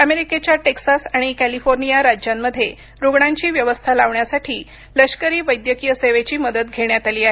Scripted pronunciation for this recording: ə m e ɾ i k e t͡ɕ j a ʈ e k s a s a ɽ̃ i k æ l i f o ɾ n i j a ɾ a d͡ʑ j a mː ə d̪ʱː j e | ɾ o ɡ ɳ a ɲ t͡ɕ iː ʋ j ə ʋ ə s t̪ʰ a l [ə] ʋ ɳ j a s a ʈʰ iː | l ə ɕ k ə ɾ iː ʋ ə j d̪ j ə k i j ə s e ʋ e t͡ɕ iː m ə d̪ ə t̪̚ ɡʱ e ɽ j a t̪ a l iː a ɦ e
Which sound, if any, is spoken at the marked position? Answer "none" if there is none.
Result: a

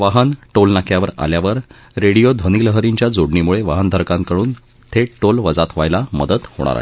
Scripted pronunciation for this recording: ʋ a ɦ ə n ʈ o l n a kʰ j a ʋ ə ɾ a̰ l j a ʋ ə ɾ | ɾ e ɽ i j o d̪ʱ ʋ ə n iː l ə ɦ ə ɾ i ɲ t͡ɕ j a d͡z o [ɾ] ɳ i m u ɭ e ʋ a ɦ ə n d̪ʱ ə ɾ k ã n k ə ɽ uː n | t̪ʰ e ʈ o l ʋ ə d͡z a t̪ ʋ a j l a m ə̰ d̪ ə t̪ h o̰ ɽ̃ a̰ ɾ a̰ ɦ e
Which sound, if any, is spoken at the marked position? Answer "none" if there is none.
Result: ɽ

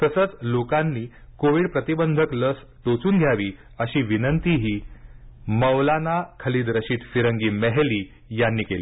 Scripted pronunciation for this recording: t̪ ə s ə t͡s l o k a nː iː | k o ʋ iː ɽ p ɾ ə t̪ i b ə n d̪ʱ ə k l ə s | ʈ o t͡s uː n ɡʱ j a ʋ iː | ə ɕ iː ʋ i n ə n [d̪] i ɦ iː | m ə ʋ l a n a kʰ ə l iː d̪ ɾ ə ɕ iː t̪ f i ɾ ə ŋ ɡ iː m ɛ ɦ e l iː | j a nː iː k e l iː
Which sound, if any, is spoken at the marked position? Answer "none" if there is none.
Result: t̪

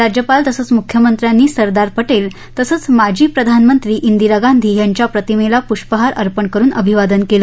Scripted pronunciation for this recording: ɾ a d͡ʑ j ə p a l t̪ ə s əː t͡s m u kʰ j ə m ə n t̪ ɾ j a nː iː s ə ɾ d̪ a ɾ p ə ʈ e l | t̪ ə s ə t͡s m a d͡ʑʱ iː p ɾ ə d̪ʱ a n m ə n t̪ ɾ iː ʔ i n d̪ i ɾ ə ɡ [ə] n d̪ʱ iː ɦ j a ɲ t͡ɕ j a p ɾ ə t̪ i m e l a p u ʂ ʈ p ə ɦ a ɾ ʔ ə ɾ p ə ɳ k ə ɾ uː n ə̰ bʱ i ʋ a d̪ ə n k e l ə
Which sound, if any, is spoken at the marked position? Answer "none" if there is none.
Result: a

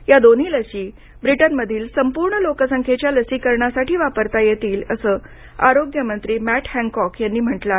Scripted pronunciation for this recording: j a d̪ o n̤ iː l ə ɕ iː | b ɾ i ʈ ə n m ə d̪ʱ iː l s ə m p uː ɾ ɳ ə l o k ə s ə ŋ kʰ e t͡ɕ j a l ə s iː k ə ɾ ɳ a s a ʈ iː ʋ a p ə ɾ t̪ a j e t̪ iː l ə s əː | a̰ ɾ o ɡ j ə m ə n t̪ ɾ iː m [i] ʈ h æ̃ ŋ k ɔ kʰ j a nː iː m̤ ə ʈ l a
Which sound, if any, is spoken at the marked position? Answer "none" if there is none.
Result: æ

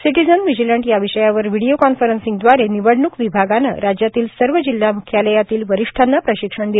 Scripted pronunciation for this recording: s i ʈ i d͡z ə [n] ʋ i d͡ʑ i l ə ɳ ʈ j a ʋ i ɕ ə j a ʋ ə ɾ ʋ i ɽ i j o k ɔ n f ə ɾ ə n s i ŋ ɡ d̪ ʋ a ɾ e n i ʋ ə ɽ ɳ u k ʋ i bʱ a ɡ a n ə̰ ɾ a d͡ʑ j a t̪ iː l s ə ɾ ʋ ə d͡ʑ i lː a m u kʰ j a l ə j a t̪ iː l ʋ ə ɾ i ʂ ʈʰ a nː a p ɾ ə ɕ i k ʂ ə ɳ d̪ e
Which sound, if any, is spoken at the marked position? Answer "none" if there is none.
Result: n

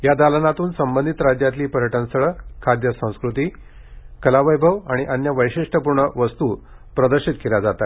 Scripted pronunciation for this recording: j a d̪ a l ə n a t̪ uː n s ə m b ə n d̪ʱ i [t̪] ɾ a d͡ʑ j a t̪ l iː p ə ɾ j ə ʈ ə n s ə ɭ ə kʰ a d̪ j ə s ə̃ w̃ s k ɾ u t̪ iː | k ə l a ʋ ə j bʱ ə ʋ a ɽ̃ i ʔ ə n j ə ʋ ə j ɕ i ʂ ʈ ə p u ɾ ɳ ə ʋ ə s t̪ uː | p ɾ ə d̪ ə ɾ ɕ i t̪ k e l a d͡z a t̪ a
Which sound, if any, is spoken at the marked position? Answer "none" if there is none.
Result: t̪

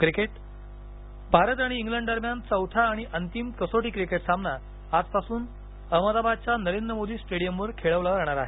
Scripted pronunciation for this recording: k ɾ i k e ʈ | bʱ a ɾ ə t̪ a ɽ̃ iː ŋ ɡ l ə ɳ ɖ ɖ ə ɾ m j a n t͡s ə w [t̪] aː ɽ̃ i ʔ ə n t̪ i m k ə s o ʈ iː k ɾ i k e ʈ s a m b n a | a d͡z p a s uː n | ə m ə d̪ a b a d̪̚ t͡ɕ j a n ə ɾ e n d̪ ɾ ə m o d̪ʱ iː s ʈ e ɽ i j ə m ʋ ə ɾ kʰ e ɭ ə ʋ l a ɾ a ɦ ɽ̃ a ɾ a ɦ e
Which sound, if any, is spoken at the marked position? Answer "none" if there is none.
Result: t̪ʰ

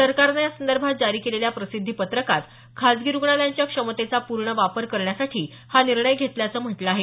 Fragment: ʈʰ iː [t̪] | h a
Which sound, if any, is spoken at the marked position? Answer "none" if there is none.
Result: none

